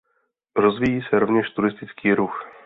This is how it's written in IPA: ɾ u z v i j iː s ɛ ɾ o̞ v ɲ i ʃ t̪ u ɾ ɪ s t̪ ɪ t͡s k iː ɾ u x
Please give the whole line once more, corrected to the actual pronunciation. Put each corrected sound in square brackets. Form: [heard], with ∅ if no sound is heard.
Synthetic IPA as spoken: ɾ [o] z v i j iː s ɛ ɾ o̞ v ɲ [ɛ] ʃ t̪ u ɾ ɪ s t̪ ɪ t͡s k iː ɾ u x